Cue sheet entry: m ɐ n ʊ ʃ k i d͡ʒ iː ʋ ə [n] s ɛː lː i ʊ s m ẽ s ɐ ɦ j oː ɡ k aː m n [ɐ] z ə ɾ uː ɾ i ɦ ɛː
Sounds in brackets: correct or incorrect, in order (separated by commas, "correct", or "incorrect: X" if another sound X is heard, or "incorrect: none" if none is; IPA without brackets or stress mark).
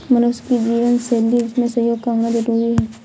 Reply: correct, incorrect: a